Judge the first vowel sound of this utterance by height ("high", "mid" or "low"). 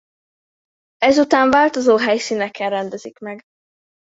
mid